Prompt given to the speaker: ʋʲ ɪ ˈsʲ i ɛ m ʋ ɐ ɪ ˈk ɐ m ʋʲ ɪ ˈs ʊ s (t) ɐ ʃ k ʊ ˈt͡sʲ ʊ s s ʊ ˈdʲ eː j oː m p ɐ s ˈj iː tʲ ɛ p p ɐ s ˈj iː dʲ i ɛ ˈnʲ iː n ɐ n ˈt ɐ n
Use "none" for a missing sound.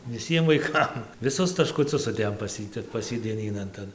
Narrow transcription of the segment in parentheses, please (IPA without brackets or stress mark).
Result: t